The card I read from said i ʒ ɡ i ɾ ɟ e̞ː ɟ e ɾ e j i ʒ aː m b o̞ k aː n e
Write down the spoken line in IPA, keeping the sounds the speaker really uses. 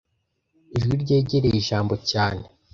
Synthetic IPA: i ʒ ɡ i ɾ ɟ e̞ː ɟ e ɾ e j i ʒ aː m b o̞ c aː n e